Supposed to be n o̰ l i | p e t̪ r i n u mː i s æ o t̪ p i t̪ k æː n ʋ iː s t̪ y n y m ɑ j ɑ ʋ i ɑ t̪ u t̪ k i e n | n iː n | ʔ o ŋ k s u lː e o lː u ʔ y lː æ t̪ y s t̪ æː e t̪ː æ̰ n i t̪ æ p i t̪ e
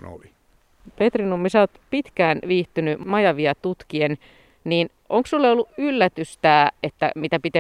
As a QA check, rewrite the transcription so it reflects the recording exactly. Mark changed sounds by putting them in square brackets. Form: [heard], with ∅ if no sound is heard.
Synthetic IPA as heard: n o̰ l i | p e t̪ r i n u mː i s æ o t̪ p i t̪ k æː n ʋ iː [h] t̪ y n y m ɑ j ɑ ʋ i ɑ t̪ u t̪ k i e n | n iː n | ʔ o ŋ k s u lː e o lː u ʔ y lː æ t̪ y s t̪ æː e t̪ː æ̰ [m] i t̪ æ p i t̪ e